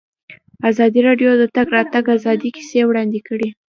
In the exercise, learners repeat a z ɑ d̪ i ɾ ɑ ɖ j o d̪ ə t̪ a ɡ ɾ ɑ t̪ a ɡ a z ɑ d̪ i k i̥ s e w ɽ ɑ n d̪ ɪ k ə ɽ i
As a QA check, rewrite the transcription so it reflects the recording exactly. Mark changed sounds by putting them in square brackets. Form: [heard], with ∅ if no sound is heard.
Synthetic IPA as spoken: a z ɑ d̪ i ɾ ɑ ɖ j o d̪ ə t̪ a ɡ ɾ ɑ t̪ a ɡ a z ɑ d̪ i k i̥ s e w ɽ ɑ n d̪ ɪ k ə ɽ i